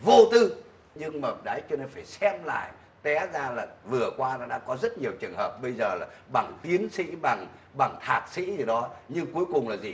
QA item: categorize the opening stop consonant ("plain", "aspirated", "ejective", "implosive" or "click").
plain